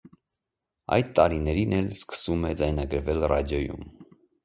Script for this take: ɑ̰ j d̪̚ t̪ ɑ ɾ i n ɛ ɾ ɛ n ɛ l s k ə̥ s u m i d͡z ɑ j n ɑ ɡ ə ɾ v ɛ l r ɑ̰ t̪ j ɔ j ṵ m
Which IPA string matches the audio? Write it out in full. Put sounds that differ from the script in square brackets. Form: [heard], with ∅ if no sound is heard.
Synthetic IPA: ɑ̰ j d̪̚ t̪ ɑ ɾ i n ɛ ɾ [i] n ɛ l s k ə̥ s u m [ɛ] d͡z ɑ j n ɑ ɡ ə ɾ v ɛ l r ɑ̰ [d̪] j ɔ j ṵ m